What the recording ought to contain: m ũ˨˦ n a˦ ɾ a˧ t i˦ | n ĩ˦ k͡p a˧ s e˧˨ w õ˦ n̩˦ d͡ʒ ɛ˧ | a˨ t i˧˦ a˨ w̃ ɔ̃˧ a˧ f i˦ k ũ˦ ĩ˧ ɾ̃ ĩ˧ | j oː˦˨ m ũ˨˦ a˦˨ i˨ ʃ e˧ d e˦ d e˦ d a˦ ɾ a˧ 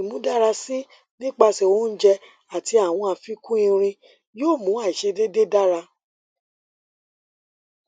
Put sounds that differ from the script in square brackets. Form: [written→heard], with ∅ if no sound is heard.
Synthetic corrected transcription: m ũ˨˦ [n→d] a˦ ɾ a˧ [t→s] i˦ | n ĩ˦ k͡p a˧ s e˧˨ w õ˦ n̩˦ d͡ʒ ɛ˧ | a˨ t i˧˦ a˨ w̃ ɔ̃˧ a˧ f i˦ k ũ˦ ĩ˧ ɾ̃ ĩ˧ | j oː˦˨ m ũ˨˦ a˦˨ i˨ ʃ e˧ d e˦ d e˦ d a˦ ɾ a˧